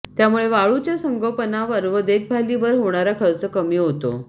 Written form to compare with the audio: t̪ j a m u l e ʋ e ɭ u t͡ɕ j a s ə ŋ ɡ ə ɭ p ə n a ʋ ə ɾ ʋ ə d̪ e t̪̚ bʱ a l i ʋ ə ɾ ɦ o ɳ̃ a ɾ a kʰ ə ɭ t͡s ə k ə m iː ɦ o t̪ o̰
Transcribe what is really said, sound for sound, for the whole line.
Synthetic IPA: t̪ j a m u ɭ e ʋ a ɭ u t͡ɕ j a s ə ŋ ɡ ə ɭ p ə n a ʋ ə ɾ ʋ ə d̪ e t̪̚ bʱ a l i ʋ ə ɾ ɦ o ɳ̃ a ɾ a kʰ ə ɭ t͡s ə k ə m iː ɦ o t̪ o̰